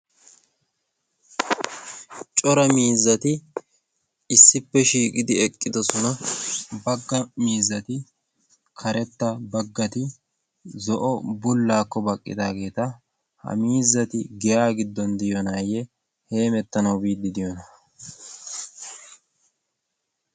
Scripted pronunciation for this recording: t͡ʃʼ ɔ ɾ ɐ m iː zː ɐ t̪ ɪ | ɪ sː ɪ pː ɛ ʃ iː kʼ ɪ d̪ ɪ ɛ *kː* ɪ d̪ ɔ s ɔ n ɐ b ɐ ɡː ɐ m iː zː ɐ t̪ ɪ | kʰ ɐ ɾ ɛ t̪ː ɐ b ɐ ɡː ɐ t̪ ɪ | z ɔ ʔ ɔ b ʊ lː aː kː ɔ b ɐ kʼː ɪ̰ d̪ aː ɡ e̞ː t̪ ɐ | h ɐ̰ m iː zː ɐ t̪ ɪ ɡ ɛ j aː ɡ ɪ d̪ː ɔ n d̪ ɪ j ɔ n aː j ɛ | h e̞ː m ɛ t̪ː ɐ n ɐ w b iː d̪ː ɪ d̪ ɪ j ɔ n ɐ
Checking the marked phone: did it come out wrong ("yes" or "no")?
yes